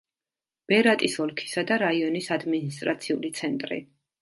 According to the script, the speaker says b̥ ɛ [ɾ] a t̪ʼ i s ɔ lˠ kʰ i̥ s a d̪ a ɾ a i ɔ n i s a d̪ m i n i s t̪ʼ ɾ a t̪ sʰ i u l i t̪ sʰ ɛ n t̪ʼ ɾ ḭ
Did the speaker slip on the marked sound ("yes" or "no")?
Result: no